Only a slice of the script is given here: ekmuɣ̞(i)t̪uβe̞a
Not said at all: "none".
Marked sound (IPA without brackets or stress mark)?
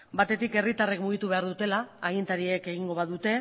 i